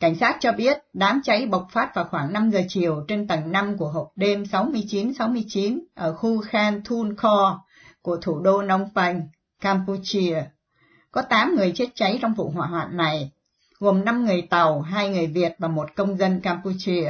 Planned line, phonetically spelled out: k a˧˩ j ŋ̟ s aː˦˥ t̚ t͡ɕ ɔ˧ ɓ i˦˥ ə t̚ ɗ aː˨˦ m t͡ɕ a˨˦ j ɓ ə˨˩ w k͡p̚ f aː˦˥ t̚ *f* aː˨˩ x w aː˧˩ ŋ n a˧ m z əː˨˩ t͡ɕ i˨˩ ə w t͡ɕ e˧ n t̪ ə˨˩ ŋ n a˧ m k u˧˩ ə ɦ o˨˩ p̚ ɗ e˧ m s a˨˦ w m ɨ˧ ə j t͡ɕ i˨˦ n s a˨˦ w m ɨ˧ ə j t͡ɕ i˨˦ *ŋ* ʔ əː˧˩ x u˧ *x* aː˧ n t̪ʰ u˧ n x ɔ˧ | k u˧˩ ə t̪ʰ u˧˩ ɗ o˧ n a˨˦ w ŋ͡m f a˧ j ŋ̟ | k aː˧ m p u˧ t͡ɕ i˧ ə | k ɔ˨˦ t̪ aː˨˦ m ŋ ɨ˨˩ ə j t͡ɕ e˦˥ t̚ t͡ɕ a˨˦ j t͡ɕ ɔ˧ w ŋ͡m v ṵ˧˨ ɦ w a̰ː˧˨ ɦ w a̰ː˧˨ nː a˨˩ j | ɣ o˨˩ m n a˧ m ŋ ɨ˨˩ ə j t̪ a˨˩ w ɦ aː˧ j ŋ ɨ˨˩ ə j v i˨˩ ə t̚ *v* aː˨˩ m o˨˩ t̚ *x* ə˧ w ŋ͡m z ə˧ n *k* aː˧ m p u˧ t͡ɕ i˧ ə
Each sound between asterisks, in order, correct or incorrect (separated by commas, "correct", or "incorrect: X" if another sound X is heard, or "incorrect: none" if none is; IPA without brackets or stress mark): incorrect: v, incorrect: n, correct, correct, incorrect: k, correct